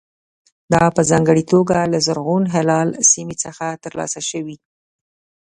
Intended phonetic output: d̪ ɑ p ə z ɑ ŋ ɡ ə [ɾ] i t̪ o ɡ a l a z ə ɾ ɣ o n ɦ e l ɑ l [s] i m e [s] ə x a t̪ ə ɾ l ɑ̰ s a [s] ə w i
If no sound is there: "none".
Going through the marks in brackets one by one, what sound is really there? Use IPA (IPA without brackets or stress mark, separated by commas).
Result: ɽ, s, t͡s, ʃ